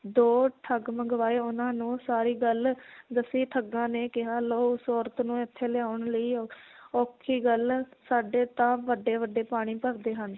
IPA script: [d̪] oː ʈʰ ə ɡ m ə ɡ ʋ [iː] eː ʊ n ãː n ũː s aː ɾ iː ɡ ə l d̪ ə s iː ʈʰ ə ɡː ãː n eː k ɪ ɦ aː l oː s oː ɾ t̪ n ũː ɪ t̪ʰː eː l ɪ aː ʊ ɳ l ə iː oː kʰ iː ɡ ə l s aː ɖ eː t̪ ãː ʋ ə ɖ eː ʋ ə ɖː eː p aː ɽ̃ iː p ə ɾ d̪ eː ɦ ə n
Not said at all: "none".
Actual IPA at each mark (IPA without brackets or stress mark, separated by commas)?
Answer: d̪, aː